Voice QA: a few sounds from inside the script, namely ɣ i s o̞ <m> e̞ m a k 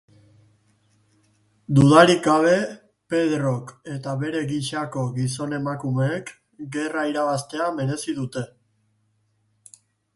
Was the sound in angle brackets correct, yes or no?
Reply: no